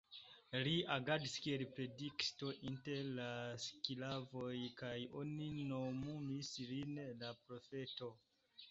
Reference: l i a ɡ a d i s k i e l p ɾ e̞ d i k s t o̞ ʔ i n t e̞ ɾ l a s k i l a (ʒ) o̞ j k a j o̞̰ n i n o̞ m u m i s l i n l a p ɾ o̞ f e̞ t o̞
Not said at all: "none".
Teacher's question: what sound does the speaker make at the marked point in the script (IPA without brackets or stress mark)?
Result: v